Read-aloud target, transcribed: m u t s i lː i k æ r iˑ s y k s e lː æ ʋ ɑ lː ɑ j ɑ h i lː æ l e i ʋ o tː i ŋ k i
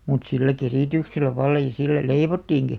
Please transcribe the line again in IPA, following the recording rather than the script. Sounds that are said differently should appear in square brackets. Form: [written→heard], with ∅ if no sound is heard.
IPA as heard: m u t s i lː [i→æ] k [æ→e] r iˑ [s→t] y k s e lː æ ʋ ɑ lː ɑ j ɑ [h→s] i lː æ l e i ʋ o tː [i→iː] ŋ k i